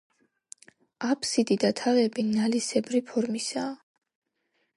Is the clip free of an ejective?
yes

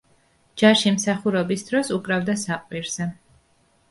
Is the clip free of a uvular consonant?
no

